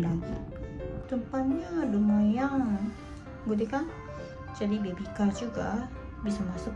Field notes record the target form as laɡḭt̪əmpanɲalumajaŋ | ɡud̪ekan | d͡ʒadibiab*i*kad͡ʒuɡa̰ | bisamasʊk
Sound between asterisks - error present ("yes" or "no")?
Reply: no